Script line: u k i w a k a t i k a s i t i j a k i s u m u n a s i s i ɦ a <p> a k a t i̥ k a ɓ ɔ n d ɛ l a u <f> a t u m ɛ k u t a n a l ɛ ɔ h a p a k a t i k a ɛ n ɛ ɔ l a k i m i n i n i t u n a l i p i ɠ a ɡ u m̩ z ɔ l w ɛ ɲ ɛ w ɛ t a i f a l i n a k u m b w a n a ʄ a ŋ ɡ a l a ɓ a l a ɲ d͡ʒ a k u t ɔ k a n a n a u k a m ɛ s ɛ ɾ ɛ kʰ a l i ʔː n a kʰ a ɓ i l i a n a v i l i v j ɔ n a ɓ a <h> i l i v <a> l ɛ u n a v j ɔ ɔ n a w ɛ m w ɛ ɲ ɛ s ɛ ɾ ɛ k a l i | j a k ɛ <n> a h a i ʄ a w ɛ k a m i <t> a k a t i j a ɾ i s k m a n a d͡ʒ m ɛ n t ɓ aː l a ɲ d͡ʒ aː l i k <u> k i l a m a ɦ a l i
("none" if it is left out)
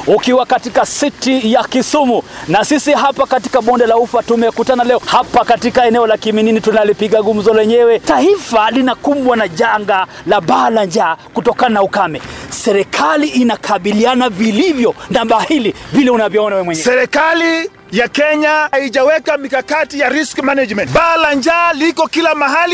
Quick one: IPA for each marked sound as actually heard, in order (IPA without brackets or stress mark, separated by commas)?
p, f, h, i, ɲ, k, ɔ